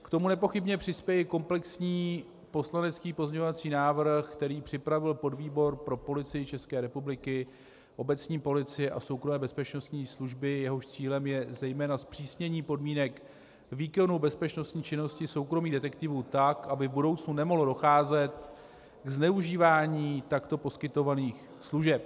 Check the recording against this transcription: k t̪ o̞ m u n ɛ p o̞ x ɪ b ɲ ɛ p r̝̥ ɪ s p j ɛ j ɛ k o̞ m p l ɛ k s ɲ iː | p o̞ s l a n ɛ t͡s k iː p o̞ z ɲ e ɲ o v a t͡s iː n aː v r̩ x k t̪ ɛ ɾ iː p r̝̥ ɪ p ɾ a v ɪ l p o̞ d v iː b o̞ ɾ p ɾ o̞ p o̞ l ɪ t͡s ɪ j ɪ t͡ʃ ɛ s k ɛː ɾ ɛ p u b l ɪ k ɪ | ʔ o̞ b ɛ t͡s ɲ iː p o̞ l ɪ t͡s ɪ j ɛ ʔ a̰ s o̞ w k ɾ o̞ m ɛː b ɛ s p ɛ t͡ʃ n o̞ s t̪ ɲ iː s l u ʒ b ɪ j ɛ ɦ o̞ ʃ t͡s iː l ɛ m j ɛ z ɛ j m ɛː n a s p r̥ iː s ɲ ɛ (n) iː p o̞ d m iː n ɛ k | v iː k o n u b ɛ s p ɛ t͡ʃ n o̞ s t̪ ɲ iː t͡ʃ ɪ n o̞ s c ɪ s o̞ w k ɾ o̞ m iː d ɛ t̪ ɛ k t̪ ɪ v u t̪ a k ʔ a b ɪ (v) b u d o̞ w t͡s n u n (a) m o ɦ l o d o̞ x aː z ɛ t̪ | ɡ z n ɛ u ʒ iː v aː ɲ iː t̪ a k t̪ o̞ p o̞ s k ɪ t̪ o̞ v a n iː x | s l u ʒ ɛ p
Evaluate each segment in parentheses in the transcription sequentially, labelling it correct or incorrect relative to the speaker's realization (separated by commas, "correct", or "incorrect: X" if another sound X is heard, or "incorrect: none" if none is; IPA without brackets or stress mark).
incorrect: ɲ, correct, incorrect: ɛ